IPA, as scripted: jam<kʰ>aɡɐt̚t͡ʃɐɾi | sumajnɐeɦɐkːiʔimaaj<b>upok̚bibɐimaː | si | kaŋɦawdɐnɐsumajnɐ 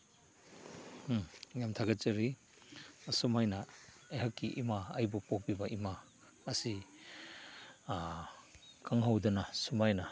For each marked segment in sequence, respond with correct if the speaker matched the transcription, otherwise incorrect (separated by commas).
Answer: incorrect, correct